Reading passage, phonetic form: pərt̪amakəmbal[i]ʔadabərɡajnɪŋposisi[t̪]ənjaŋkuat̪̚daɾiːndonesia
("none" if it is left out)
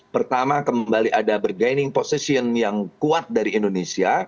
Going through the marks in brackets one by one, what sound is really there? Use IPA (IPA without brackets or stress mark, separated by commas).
i, none